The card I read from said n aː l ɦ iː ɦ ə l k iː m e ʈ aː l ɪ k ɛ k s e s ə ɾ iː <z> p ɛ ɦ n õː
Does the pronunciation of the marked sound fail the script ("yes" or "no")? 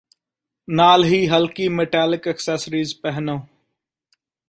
no